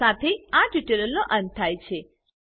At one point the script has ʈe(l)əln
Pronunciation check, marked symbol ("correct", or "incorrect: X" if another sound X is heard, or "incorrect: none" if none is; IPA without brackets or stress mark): correct